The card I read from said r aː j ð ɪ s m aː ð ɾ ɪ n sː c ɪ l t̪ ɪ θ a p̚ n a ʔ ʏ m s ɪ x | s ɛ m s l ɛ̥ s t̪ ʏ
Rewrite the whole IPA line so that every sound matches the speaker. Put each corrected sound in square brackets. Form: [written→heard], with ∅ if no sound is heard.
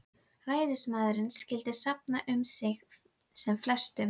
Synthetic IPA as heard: r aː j ð ɪ s m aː ð ɾ ɪ n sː c ɪ l t̪ ɪ [θ→s] a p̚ n a ʔ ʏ m s ɪ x | s ɛ m [s→f] l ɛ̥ s t̪ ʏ